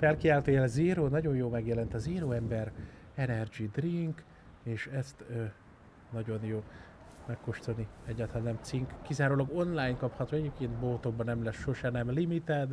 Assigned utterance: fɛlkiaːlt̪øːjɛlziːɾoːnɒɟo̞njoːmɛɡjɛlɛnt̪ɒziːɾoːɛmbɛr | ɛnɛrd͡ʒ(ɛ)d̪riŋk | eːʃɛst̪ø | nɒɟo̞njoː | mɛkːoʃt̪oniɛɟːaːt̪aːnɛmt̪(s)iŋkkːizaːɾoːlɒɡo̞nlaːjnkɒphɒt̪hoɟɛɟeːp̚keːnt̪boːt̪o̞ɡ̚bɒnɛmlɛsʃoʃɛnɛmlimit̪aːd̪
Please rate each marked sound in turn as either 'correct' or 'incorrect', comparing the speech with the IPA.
incorrect: i, correct

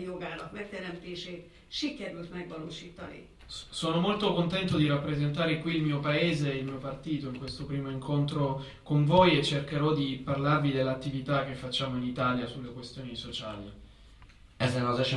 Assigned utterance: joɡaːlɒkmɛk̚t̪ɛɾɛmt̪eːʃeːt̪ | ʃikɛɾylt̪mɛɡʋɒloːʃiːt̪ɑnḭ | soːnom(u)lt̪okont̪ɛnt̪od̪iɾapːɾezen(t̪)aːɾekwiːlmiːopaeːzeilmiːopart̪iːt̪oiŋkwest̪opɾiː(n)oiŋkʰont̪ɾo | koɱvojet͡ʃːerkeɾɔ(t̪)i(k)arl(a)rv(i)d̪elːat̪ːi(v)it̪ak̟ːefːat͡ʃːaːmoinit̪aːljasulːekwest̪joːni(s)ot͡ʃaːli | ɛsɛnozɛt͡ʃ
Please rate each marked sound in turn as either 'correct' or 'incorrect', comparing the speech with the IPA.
incorrect: o, correct, incorrect: m, incorrect: d̪, incorrect: p, correct, correct, correct, correct

